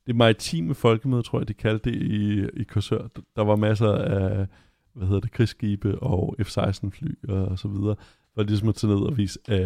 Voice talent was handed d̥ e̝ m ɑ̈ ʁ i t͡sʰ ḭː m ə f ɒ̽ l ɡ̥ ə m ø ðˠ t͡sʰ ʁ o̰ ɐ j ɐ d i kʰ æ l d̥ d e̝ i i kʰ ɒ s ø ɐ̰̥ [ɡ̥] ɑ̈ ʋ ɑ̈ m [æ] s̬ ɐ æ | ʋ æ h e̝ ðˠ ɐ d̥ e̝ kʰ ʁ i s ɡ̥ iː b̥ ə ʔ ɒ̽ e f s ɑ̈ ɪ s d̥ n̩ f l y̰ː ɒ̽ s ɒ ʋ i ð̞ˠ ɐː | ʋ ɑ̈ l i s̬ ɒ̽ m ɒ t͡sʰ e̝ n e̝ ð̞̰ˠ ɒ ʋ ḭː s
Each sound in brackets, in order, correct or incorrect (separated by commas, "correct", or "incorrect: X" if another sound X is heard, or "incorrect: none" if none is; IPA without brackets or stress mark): incorrect: d̥, correct